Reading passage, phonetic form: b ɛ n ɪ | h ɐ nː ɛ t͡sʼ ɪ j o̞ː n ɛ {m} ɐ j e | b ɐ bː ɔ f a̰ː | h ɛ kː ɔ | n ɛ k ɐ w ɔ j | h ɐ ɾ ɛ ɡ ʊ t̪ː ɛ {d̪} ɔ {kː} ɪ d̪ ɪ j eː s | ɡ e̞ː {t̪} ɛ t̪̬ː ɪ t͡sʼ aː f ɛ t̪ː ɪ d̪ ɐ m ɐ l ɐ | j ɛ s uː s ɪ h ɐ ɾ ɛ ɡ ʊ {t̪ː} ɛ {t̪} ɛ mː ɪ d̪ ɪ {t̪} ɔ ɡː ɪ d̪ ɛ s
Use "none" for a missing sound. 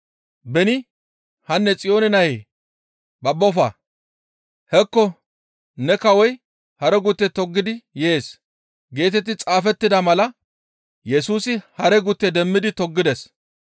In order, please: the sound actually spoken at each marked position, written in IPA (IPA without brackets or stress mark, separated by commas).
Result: n, t̪, ɡː, t̪, t̪ː, d̪, t̪